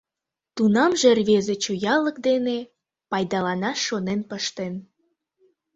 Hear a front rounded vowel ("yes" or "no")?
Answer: no